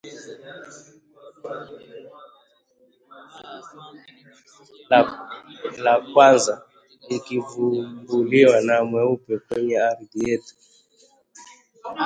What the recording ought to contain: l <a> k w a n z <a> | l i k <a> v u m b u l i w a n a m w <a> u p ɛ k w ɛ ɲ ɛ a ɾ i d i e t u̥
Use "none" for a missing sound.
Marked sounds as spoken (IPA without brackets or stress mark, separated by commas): a, a, i, ɛ